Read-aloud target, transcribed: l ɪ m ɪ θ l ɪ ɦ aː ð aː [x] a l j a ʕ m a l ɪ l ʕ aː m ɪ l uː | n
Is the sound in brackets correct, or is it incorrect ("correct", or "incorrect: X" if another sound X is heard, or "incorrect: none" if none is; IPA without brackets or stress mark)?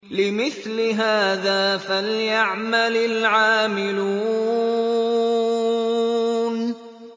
incorrect: f